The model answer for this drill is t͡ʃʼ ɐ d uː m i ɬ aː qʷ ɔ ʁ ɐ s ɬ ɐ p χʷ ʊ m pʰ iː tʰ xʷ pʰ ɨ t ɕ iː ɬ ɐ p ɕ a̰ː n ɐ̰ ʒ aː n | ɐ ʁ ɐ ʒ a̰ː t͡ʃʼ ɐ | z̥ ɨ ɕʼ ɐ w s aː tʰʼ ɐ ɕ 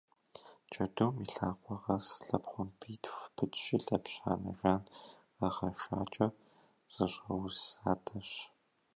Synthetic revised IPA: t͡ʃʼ ɐ d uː m i ɬ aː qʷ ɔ ʁ ɐ s ɬ ɐ p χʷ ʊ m pʰ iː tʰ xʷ pʰ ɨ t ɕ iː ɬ ɐ p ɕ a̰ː n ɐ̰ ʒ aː n | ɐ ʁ ɐ ʃ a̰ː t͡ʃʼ ɐ | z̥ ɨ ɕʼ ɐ w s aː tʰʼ ɐ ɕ